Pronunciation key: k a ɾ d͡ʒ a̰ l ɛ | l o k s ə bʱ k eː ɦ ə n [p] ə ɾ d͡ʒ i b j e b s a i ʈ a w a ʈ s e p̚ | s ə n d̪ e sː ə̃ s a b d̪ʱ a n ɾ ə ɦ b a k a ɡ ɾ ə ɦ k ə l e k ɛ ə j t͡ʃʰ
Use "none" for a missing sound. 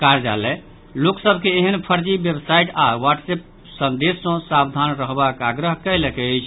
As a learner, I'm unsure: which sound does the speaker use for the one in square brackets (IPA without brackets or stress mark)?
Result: pʰ